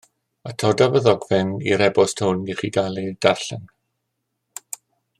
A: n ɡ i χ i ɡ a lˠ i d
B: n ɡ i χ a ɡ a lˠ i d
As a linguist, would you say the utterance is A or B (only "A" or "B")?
A